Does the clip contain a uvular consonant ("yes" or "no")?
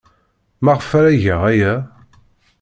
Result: yes